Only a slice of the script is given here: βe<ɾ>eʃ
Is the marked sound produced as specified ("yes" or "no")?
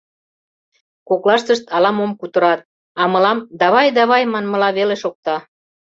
no